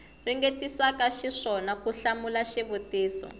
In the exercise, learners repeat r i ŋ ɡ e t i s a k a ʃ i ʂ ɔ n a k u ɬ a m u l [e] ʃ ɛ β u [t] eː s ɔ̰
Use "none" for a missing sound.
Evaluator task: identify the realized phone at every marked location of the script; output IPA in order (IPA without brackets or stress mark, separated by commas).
a, t